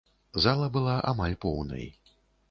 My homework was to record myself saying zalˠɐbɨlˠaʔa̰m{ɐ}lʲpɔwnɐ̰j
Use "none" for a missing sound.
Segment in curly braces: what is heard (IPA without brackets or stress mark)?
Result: a